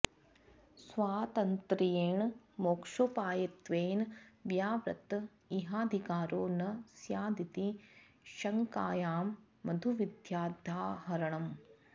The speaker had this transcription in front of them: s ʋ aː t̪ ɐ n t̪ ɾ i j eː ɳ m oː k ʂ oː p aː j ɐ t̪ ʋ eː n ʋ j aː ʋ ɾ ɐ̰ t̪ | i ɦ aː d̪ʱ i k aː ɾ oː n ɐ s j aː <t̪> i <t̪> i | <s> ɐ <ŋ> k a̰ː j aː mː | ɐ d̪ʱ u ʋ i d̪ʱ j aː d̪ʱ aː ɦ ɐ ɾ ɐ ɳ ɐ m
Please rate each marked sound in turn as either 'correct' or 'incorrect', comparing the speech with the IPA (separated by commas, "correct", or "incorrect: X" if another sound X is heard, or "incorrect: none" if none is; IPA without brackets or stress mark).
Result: incorrect: d̪, correct, incorrect: ʃ, correct